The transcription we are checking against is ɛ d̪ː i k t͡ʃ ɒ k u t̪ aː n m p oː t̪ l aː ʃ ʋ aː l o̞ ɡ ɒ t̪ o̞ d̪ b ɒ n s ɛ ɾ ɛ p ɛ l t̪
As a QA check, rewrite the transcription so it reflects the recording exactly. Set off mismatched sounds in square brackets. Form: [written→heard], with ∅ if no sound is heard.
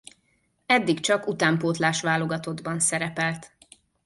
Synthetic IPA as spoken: ɛ d̪ː i k t͡ʃ ɒ k u t̪ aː [n→∅] m p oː t̪ l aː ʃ ʋ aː l o̞ ɡ ɒ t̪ o̞ d̪ b ɒ n s ɛ ɾ ɛ p ɛ l t̪